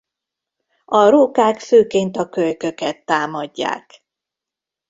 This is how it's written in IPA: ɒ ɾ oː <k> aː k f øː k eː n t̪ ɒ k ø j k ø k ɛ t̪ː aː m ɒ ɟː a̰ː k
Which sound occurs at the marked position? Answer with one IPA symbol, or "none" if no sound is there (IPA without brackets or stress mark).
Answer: k